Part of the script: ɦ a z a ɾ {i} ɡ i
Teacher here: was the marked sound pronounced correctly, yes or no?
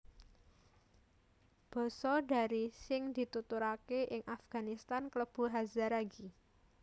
no